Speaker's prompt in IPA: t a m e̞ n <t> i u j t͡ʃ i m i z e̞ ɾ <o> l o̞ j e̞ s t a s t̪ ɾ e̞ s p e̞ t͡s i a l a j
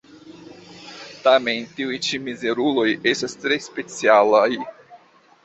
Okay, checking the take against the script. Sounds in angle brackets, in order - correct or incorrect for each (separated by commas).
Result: correct, incorrect